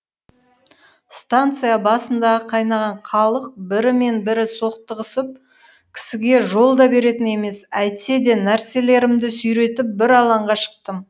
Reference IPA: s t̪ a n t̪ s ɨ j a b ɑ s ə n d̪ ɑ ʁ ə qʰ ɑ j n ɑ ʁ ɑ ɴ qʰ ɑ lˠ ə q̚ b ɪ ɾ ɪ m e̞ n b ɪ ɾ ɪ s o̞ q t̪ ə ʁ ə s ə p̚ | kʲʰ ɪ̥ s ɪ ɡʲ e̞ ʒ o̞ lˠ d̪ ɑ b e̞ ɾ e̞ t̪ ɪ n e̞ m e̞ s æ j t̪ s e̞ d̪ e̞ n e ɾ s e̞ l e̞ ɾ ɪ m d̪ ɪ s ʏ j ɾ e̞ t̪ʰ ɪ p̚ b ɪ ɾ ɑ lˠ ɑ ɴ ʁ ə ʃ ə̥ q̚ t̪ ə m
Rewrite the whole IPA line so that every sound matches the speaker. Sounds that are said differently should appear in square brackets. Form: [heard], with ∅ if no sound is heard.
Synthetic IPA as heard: s t̪ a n t̪ s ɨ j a b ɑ s ə n d̪ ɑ ʁ ə qʰ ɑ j n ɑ ʁ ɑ ɴ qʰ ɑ lˠ ə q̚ b ɪ ɾ ɪ m e̞ n b ɪ ɾ ɪ s o̞ q t̪ ə ʁ ə s ə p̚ | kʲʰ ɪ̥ s ɪ ɡʲ e̞ ʒ o̞ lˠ d̪ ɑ b e̞ ɾ e̞ t̪ ɪ n e̞ m e̞ s æ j t̪ s e̞ d̪ e̞ n [æ] ɾ s e̞ l e̞ ɾ ɪ m d̪ ɪ s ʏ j ɾ e̞ [t̪] ɪ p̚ b ɪ ɾ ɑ lˠ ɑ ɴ ʁ [ɑ] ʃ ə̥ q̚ t̪ ə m

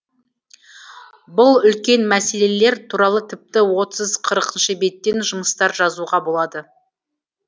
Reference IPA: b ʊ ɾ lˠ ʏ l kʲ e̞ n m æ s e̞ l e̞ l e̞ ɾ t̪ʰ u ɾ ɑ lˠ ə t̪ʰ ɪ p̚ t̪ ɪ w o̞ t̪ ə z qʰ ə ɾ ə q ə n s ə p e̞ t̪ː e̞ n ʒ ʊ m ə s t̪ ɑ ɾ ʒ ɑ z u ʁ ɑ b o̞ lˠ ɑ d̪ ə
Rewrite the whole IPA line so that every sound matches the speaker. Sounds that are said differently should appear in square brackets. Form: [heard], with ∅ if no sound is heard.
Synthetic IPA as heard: b ʊ [∅] lˠ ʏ l kʲ e̞ n m æ s e̞ l e̞ l e̞ ɾ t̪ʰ u ɾ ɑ lˠ ə t̪ʰ ɪ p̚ t̪ ɪ w o̞ t̪ ə z qʰ ə ɾ ə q ə n [ʃ] ə [b] e̞ t̪ː e̞ n ʒ ʊ m ə s t̪ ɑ ɾ ʒ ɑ z u ʁ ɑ b o̞ lˠ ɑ d̪ ə

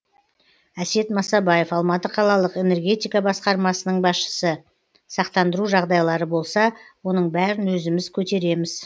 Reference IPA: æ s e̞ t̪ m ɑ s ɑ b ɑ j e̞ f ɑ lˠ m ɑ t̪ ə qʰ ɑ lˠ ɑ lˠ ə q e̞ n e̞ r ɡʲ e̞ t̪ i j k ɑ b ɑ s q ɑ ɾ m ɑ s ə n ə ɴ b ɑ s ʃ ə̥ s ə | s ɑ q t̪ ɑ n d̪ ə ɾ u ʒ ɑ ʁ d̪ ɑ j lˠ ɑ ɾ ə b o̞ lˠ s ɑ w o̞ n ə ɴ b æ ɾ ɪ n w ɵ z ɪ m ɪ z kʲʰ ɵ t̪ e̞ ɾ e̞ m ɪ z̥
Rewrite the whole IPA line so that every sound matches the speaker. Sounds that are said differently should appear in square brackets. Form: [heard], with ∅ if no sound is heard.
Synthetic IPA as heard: æ s e̞ t̪ m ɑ s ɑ b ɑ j e̞ f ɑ lˠ m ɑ t̪ ə qʰ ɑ lˠ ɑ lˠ ə q e̞ n e̞ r ɡʲ e̞ t̪ i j k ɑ b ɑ s q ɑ ɾ m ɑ s ə n ə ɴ b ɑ s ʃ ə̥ s ə | s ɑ q t̪ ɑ n d̪ ə ɾ u ʒ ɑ ʁ d̪ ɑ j lˠ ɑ ɾ ə b o̞ lˠ s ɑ w o̞ n ə ɴ b æ ɾ ɪ n w ɵ z ɪ m ɪ z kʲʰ ɵ t̪ e̞ ɾ e̞ m ɪ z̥

